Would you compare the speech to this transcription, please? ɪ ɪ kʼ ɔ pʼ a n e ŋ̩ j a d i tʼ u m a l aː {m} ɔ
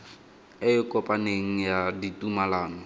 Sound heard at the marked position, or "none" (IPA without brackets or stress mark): n